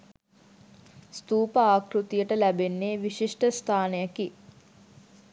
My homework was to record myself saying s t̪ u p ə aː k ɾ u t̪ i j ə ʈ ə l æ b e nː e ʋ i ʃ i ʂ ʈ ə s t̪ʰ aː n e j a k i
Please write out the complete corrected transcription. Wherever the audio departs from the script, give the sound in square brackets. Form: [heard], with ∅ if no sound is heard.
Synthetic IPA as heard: s t̪ [uː] p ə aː k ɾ u t̪ i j ə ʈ ə l æ b e nː e ʋ i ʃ i ʂ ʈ ə s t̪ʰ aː n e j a k i